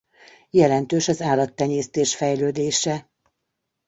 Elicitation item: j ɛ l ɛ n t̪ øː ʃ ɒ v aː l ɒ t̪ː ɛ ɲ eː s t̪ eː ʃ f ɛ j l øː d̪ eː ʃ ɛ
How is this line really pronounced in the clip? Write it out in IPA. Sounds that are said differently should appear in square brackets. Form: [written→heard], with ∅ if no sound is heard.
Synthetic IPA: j ɛ l ɛ n t̪ øː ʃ ɒ [v→z] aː l ɒ t̪ː ɛ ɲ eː s t̪ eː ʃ f ɛ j l øː d̪ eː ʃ ɛ